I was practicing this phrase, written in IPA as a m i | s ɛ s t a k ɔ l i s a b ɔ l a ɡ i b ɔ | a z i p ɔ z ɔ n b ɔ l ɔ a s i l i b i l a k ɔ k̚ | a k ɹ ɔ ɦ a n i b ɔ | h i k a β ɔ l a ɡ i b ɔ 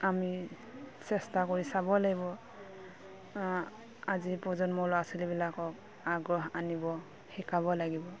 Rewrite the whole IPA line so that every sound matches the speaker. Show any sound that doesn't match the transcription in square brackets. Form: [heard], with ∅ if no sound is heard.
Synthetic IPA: a m i | s ɛ s t a k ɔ [ɹ] i s a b ɔ l a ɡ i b ɔ | a z i p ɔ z ɔ n [m] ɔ l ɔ a s i l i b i l a k ɔ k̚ | a [ɡ] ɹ ɔ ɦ a n i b ɔ | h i k a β ɔ l a ɡ i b ɔ